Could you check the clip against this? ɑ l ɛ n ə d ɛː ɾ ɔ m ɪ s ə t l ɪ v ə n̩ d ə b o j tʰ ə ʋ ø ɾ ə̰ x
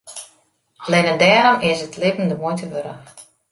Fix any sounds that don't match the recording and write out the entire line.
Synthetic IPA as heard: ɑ l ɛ n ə d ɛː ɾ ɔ m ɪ s ə t l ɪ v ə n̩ d ə m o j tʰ ə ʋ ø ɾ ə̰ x